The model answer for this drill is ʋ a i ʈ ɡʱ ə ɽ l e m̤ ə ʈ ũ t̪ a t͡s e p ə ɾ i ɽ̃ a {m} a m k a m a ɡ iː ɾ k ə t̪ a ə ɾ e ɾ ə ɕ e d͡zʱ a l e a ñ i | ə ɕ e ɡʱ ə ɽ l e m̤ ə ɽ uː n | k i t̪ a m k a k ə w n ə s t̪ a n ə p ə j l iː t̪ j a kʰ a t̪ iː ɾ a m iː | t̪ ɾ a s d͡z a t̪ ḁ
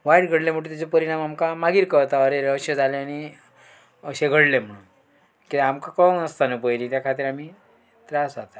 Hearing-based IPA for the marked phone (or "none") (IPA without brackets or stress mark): m